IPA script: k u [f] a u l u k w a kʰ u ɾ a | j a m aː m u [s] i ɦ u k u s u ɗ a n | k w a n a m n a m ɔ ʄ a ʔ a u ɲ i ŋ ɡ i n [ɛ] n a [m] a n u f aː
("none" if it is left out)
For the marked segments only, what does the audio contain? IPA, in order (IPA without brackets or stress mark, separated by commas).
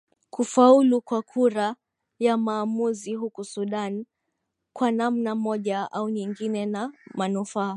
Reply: f, z, ɛ, m